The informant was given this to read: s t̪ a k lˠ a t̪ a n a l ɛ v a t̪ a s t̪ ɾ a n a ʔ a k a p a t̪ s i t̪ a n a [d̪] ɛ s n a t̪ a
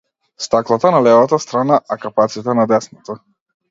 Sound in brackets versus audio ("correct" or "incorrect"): correct